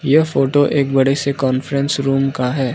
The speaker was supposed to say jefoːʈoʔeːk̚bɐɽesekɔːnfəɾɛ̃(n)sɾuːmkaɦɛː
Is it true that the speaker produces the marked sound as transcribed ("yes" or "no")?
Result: yes